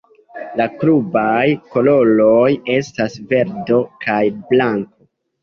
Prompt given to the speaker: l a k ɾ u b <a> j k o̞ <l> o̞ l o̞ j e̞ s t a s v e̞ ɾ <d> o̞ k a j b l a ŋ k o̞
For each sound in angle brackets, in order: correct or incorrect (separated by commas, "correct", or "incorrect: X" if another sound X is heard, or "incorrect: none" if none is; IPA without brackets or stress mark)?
correct, correct, correct